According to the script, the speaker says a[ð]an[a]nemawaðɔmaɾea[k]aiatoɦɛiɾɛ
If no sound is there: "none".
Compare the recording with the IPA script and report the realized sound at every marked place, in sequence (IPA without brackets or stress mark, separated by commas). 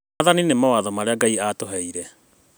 ð, i, ɡ